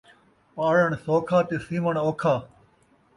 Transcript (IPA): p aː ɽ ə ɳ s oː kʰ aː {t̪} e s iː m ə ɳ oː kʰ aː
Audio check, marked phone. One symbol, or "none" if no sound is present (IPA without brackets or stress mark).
t̪